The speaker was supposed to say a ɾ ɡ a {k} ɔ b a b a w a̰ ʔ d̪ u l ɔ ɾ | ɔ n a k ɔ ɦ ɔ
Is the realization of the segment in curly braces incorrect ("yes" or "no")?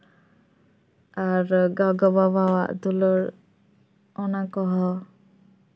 yes